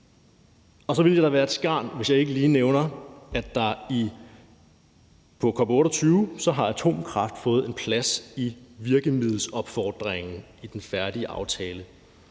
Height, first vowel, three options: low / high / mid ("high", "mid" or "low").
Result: low